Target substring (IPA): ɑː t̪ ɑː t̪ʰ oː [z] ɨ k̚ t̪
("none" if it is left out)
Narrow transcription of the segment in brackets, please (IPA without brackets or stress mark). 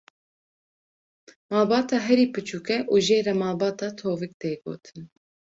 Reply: v